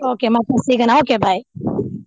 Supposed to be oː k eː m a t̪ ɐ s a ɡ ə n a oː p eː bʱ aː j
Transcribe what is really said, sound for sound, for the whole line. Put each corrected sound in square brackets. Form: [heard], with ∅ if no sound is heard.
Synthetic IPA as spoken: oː k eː m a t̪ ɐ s [i] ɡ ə n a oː [k] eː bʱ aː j